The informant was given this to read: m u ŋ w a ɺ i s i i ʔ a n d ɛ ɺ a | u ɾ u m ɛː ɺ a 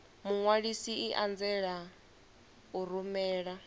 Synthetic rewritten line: m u ŋ w a ɺ i s i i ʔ a n d͡z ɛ ɺ a | u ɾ u m ɛː ɺ a